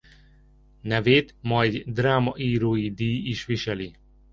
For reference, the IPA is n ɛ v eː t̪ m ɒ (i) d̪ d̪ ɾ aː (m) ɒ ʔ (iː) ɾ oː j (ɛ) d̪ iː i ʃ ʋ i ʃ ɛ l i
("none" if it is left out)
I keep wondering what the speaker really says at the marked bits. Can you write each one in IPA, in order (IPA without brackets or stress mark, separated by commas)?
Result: j, m, iː, i